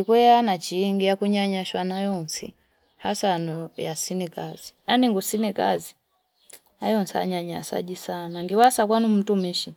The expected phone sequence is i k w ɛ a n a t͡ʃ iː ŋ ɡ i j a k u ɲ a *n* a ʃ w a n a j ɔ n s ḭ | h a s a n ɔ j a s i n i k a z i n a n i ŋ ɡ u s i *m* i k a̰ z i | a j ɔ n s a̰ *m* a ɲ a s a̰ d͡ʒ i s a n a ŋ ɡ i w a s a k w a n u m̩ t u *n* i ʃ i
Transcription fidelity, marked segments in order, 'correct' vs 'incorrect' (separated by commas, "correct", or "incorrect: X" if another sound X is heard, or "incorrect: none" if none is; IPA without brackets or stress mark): incorrect: ɲ, incorrect: n, incorrect: ɲ, incorrect: m